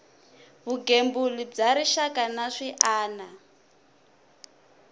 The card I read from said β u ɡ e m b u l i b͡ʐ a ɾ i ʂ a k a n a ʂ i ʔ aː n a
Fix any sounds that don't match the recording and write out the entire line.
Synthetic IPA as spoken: β u ɡ e m b u l i b͡ʐ a ɾ i ʃ a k a n a ʂ i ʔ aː n a